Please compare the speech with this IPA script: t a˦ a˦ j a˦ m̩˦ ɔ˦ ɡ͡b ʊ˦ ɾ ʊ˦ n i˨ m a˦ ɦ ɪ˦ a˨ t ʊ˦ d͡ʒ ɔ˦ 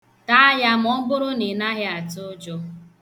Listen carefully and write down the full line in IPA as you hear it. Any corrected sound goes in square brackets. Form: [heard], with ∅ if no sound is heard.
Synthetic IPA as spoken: t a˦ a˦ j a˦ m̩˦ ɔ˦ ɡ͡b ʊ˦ ɾ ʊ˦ n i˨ [n] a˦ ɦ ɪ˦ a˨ t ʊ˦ d͡ʒ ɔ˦